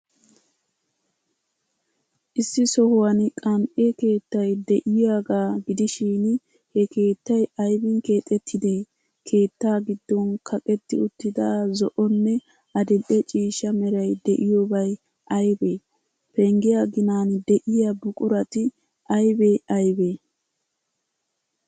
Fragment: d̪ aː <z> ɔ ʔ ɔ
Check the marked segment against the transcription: correct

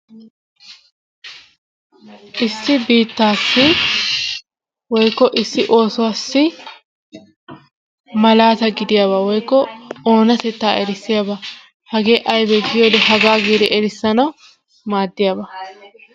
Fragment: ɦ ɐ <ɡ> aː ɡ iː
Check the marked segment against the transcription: correct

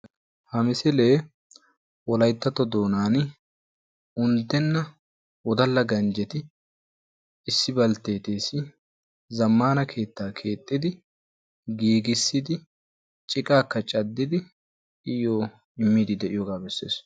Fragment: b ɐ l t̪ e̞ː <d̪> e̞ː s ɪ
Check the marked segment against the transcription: incorrect: t̪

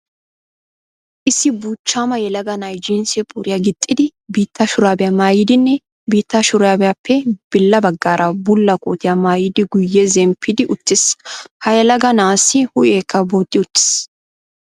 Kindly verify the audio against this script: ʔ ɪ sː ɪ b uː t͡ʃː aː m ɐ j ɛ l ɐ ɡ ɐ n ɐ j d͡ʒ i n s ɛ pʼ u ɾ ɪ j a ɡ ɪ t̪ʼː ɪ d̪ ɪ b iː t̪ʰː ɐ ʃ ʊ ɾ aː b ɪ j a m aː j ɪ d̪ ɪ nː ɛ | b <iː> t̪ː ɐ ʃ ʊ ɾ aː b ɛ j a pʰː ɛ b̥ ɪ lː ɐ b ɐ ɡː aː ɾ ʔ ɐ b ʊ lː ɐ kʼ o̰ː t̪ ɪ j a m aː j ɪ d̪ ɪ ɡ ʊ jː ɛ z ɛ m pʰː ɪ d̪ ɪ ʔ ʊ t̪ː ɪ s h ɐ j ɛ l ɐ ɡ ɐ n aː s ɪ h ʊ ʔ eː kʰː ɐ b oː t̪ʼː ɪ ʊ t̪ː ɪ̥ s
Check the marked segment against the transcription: correct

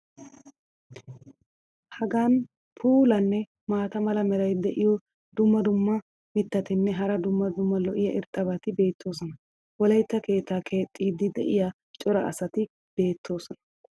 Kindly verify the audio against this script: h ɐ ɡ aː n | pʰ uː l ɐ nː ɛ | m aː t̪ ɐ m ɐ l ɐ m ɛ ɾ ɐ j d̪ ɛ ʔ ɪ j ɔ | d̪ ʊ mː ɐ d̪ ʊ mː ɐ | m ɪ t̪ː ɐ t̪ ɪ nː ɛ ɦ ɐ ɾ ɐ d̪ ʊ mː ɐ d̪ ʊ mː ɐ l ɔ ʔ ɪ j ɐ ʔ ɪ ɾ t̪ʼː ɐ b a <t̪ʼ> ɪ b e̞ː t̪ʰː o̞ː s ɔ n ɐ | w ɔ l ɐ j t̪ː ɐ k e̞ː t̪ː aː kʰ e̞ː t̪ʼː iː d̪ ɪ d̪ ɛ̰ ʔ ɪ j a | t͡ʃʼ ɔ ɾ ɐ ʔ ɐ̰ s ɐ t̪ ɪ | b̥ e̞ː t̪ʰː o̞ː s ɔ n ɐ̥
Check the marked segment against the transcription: incorrect: t̪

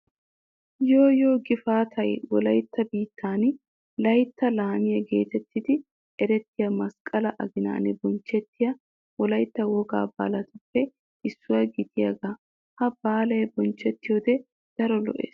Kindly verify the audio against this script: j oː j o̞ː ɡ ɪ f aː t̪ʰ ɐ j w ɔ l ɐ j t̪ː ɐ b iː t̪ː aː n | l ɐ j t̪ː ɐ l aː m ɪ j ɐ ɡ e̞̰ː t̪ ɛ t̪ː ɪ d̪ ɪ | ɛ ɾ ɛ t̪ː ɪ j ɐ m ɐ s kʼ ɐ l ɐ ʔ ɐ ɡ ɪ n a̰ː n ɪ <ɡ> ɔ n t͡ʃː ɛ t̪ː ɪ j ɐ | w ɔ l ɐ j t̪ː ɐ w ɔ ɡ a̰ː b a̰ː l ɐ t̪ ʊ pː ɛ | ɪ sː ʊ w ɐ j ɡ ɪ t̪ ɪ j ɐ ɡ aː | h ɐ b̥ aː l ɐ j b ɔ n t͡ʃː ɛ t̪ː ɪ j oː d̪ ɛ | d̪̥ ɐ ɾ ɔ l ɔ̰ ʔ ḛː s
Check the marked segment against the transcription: incorrect: b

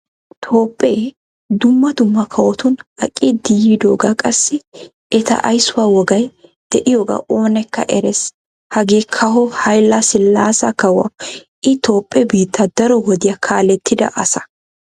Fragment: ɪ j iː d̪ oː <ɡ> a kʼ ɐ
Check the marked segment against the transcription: correct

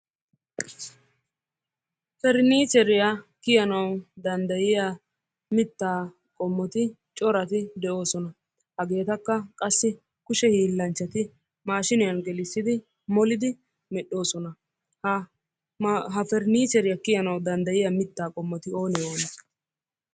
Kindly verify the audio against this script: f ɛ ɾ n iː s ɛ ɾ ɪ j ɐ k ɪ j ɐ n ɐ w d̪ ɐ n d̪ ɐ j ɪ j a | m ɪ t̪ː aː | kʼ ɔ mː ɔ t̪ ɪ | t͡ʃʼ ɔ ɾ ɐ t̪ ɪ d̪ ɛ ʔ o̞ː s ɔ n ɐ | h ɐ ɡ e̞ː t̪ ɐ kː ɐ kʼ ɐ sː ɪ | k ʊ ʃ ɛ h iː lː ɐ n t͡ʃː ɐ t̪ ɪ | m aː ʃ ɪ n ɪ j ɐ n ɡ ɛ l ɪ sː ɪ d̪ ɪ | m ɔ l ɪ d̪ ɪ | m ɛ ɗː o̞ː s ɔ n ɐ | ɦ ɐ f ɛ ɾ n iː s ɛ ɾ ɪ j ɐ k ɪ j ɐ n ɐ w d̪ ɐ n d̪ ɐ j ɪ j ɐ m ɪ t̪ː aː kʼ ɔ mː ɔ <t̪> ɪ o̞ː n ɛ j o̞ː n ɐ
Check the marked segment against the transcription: correct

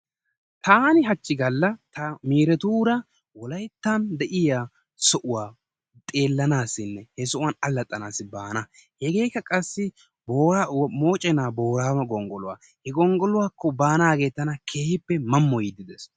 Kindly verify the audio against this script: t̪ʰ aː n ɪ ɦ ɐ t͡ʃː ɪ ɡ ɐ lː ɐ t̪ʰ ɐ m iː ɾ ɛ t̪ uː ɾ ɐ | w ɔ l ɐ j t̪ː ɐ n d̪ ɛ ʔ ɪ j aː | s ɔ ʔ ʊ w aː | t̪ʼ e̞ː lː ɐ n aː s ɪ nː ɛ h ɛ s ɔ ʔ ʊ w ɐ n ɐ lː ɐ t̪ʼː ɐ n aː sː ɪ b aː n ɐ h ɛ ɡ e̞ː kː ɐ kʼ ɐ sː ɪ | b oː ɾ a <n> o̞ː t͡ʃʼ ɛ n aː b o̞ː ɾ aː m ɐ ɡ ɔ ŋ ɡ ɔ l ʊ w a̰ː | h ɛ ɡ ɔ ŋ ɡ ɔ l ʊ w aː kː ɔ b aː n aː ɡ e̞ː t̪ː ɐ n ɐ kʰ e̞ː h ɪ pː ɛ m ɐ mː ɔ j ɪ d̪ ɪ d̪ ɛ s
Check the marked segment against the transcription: incorrect: m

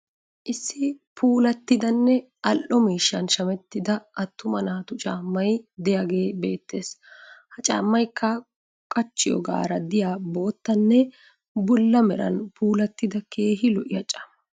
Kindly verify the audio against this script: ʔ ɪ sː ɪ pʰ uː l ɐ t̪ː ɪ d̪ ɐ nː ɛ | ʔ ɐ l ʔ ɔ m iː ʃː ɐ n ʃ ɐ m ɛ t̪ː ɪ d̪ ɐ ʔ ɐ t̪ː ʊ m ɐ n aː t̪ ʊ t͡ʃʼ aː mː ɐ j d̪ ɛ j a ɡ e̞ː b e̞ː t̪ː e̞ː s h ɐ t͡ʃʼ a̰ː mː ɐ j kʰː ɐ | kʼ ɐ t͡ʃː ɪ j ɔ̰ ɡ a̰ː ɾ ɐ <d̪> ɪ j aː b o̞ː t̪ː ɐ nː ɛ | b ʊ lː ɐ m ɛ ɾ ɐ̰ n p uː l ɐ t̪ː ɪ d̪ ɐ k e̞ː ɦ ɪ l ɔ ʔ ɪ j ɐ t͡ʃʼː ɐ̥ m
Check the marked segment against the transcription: correct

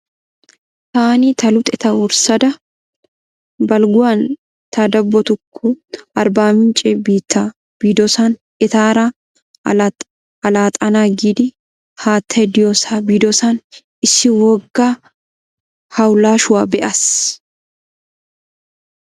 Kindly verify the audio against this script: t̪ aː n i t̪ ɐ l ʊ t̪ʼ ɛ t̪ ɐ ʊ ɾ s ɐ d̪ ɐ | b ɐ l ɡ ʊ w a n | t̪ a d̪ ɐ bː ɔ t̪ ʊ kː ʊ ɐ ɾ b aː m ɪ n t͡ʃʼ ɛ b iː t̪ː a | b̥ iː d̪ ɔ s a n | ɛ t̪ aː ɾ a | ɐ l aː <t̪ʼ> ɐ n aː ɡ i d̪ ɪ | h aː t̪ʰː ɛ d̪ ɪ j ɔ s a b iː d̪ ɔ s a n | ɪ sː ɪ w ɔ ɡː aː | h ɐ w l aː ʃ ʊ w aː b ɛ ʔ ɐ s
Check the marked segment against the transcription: correct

